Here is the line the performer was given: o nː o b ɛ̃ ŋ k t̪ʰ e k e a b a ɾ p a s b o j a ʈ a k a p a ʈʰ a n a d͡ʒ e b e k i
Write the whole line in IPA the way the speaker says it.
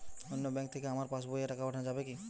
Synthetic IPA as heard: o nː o b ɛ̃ ŋ k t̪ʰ e k e a m a ɾ p a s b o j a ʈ a k a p a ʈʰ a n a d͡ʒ a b e k i